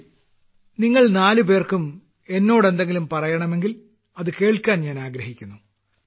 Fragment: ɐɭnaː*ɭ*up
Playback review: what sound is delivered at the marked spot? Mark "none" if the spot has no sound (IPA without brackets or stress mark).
l